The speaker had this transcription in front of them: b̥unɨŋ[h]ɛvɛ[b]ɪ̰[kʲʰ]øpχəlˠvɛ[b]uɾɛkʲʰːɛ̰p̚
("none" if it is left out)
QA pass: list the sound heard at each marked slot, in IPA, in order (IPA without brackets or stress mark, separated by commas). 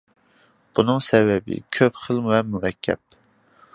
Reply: s, b, kʲʰ, m